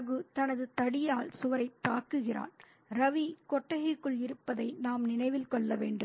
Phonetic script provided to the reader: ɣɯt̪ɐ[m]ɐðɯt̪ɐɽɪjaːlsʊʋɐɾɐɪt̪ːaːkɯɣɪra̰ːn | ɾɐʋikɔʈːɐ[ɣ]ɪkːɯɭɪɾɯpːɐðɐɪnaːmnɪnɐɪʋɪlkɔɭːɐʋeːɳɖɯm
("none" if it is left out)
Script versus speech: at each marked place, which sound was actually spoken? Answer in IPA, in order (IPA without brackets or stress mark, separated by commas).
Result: n, ɣ